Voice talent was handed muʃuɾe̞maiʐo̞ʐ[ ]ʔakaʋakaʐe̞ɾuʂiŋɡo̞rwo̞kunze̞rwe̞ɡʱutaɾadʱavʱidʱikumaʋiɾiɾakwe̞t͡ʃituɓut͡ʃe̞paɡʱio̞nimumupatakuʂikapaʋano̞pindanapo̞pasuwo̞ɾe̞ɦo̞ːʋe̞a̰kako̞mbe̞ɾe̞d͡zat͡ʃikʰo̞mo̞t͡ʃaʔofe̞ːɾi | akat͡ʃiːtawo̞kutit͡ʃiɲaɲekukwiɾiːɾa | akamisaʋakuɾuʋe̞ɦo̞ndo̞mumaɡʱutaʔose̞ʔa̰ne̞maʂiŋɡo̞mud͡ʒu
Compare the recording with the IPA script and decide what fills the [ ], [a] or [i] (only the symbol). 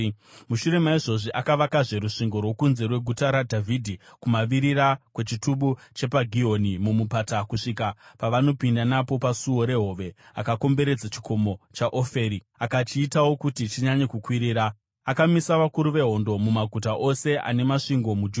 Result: i